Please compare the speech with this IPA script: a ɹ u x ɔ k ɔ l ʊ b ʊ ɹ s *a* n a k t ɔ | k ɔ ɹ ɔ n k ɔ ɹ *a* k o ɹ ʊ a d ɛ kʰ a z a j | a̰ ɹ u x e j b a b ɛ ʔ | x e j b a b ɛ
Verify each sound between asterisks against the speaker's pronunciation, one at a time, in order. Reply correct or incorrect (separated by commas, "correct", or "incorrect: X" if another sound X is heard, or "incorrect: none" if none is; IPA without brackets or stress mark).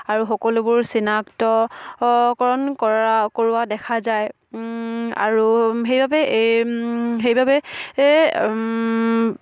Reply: incorrect: i, correct